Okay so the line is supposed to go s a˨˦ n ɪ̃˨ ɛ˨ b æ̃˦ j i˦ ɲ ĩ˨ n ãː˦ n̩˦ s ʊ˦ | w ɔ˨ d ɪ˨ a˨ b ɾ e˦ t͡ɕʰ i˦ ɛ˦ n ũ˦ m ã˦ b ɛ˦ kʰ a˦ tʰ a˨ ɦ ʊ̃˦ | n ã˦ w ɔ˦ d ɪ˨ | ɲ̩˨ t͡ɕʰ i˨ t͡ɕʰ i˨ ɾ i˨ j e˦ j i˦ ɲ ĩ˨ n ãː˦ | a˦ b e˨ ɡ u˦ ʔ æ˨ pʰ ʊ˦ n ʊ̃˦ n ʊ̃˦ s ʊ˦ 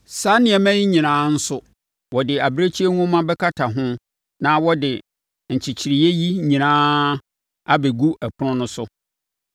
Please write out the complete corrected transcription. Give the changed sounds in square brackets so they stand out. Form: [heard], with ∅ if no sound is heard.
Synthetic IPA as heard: s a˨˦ n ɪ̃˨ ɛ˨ [m] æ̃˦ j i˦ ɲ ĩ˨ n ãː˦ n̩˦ s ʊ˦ | w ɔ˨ d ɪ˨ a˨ b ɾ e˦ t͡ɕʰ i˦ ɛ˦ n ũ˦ m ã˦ b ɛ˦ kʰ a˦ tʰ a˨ ɦ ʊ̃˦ | n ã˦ w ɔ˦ d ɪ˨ | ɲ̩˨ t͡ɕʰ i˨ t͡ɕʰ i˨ ɾ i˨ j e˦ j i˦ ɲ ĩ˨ n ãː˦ | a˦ b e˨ ɡ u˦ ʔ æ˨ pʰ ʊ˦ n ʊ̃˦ n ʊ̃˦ s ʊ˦